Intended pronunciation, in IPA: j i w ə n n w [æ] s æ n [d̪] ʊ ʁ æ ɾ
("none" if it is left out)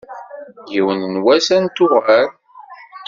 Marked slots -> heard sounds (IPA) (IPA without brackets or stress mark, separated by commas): æ, t̪